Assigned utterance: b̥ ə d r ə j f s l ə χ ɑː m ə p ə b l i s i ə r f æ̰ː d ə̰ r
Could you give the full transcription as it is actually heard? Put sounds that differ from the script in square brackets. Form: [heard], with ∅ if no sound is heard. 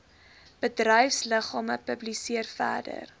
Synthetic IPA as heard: b̥ ə d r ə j f s l ə χ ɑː m ə p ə b l i s i ə r f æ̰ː d ə̰ r